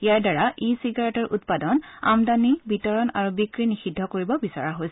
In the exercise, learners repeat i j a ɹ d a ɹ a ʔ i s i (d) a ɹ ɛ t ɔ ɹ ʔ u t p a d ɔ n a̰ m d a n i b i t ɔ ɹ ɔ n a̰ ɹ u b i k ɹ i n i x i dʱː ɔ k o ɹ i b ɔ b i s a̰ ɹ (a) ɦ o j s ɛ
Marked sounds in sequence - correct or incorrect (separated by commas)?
incorrect, correct